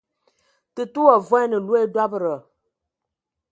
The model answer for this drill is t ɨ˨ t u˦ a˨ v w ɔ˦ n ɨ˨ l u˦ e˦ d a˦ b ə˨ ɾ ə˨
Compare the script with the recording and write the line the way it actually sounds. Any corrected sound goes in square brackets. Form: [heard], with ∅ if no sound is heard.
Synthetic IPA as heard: t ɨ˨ t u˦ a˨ v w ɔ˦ n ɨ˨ l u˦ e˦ d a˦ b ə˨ ɾ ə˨